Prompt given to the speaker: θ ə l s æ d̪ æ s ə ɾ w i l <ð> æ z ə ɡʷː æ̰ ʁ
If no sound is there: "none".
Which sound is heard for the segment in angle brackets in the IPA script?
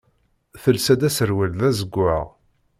ð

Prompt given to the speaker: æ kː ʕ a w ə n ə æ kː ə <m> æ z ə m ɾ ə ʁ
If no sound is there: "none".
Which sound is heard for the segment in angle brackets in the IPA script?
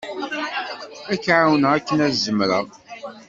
n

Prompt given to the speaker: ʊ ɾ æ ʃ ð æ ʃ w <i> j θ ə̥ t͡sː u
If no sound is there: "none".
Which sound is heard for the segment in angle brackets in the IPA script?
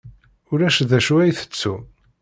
æ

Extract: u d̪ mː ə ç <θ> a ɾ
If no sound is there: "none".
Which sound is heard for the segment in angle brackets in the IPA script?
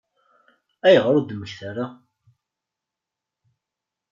θ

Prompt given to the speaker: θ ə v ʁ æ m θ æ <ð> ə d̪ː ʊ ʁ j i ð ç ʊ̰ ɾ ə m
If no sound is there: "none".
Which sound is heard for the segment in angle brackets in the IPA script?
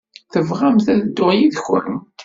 ð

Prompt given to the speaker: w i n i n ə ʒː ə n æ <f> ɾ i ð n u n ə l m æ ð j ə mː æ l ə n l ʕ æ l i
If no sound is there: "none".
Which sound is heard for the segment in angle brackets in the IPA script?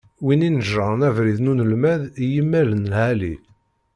v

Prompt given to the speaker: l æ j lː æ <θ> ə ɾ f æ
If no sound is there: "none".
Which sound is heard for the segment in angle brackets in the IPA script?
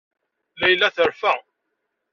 θ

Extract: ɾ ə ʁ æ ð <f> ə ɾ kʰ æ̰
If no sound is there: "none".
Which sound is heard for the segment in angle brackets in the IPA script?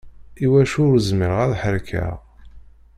ħ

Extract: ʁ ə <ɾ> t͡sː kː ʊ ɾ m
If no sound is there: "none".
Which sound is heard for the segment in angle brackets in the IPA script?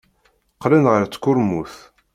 ɾ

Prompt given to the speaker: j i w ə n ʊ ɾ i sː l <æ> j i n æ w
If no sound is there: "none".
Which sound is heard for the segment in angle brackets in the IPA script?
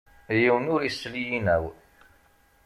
i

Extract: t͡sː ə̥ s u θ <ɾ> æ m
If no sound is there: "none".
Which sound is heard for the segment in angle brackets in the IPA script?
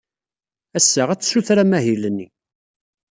ɾ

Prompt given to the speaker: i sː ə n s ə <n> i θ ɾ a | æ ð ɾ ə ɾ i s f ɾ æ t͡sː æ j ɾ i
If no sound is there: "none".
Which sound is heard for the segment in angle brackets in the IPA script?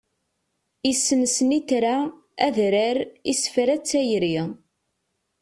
n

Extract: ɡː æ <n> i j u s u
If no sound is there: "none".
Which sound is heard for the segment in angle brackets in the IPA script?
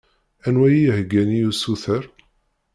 n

